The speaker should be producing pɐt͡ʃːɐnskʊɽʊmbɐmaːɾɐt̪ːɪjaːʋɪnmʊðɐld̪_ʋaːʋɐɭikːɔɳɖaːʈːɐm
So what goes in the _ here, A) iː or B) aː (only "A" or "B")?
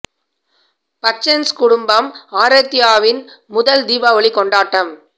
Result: A